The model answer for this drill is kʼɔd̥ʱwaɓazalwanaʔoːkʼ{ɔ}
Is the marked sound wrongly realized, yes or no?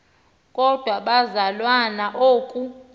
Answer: yes